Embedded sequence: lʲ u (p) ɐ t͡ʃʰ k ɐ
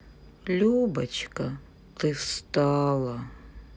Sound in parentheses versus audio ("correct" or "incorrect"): incorrect